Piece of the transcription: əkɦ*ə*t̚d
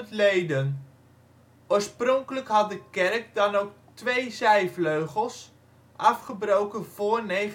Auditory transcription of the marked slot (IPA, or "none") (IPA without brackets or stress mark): ɑ